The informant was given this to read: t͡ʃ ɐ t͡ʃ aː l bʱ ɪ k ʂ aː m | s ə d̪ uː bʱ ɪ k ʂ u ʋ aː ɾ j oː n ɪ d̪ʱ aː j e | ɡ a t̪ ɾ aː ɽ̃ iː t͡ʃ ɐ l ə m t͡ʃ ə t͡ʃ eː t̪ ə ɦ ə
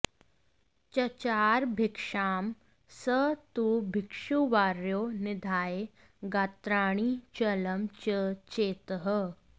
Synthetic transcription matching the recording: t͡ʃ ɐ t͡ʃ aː ɾ bʱ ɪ k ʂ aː m | s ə t̪ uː bʱ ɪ k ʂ u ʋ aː ɾ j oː n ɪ d̪ʱ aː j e | ɡ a t̪ ɾ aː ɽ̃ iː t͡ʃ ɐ l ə m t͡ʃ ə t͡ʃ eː t̪ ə ɦ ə